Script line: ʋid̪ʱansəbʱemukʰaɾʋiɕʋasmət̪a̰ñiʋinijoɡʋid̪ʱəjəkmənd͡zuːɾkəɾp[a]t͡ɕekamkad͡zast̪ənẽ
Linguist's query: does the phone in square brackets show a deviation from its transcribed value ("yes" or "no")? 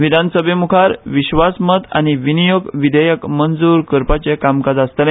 no